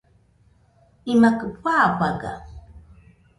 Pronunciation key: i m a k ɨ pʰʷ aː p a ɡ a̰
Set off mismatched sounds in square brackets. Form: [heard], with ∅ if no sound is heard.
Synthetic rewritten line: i m a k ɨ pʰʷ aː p a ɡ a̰

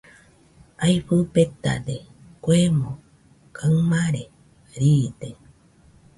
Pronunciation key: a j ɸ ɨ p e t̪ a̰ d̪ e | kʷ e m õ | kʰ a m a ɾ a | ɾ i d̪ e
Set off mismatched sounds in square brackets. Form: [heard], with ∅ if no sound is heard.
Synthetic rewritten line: a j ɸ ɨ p e t̪ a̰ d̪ e | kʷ e m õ | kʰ a m a ɾ [e] | ɾ i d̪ e

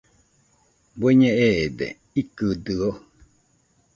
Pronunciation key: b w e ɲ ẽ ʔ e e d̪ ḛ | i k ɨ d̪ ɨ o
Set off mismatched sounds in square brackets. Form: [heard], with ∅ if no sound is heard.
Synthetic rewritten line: b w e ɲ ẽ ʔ e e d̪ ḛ | i k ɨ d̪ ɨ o

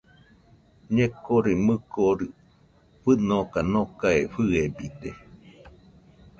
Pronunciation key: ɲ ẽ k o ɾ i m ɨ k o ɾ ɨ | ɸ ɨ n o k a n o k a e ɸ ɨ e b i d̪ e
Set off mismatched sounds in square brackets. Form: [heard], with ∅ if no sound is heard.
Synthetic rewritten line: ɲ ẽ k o ɾ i m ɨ k o ɾ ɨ | ɸ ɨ n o k a n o k a e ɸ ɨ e b i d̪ e

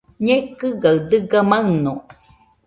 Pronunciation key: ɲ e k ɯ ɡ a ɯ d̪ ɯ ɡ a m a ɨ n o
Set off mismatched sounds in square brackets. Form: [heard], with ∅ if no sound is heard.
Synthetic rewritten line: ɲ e k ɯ ɡ a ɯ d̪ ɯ ɡ a m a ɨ n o

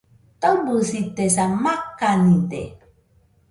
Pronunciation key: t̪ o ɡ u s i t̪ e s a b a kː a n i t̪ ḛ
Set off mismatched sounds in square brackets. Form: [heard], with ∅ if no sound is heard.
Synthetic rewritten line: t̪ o [b] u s i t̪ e s a [m] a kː a n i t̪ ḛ

